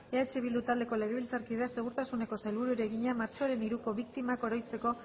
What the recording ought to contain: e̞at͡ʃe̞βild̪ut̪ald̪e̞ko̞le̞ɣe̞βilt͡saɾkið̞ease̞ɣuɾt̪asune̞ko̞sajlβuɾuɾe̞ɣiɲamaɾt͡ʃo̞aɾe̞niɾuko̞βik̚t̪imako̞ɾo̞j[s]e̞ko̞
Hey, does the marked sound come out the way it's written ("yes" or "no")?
no